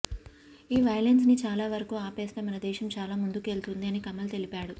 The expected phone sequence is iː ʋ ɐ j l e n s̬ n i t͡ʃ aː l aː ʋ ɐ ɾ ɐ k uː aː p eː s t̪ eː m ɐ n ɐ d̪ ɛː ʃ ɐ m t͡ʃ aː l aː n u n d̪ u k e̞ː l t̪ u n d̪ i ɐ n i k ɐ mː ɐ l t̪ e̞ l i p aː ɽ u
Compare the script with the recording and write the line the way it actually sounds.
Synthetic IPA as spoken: iː ʋ ɐ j l e n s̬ n i t͡ʃ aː l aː ʋ ɐ ɾ ɐ k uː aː p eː s t̪ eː m ɐ n ɐ d̪ ɛː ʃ ɐ m t͡ʃ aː l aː m u n d̪ u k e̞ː l t̪ u n d̪ i ɐ n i k ɐ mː ɐ l t̪ e̞ l i p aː ɽ u